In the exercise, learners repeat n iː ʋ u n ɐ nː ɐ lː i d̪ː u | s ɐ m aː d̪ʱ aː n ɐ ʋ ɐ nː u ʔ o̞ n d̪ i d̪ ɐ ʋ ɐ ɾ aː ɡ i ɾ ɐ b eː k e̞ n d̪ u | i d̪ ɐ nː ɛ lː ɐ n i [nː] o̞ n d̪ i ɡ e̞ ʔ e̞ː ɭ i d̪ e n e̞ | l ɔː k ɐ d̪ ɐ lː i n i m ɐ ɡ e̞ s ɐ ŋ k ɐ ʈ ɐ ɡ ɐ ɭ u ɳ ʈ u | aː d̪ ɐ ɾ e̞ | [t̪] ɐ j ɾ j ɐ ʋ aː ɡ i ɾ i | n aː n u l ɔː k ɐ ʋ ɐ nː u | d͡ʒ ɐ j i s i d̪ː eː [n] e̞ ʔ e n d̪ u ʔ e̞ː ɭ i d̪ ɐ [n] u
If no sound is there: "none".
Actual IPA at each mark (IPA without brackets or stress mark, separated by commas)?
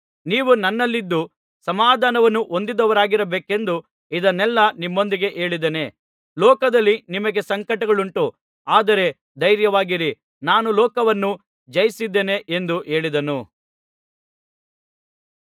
mː, d̪, n, n